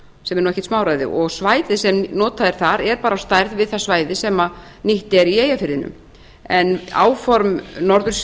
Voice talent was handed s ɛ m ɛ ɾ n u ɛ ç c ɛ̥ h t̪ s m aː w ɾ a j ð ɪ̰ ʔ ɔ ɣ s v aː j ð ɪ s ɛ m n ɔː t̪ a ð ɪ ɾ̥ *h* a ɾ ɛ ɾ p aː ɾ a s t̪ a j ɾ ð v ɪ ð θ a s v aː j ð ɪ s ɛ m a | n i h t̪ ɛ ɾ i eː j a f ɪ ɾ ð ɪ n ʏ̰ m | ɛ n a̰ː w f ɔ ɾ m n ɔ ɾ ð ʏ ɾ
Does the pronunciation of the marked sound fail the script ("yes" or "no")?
yes